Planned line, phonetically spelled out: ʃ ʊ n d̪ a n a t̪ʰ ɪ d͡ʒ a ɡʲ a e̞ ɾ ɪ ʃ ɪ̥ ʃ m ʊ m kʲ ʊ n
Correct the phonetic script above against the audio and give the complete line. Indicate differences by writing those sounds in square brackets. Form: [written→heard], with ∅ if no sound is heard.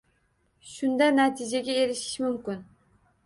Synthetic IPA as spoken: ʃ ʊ n d̪ a n a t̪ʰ ɪ d͡ʒ a ɡʲ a e̞ ɾ ɪ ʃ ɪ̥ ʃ m ʊ m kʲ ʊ n